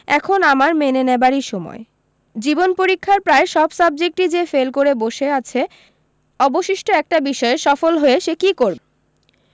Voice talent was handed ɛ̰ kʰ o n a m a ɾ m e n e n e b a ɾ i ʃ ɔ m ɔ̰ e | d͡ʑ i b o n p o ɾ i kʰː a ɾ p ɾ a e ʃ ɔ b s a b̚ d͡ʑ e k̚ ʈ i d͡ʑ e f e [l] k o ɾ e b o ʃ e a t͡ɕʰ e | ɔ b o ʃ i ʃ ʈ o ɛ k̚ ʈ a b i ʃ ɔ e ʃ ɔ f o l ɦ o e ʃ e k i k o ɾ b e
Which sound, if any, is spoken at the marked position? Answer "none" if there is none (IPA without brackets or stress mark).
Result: l